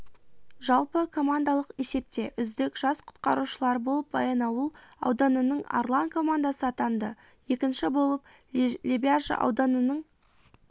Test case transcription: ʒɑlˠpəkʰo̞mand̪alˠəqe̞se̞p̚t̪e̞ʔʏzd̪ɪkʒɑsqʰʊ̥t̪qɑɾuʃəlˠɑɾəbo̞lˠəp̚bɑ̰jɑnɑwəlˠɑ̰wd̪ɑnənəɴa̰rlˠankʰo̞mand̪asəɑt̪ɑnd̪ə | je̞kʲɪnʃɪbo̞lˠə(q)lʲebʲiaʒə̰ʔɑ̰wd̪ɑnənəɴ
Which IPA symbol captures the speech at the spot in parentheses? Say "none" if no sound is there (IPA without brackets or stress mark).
p